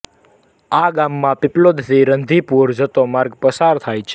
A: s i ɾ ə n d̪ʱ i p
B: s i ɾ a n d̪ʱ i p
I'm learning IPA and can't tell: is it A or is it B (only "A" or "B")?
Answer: A